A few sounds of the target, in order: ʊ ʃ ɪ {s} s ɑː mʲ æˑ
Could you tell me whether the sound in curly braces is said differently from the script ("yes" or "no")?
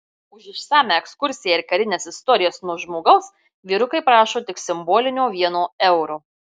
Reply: yes